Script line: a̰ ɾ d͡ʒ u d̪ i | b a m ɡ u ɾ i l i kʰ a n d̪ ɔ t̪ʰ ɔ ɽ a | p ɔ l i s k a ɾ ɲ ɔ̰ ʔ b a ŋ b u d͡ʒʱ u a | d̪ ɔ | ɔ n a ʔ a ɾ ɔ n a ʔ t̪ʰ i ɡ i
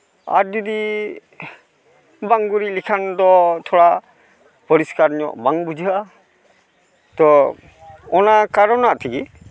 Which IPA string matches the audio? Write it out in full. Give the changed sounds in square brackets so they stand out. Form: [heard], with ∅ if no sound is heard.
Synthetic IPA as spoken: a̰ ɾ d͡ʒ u d̪ i | b a [ŋ] ɡ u ɾ i l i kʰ a n d̪ ɔ t̪ʰ ɔ ɽ a | p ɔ [ɾ] i s k a ɾ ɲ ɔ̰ ʔ b a ŋ b u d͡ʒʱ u a | [t̪] ɔ | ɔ n a [k] a ɾ ɔ n a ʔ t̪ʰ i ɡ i